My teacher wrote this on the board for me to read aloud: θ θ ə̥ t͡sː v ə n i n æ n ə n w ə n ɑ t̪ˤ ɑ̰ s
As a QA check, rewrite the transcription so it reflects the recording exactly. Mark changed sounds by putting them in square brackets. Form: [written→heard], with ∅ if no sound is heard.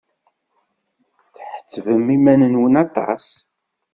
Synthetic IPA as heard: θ [θ→ħ] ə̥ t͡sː v ə [n→m] i [n→m] æ n ə n w ə n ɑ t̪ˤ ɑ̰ s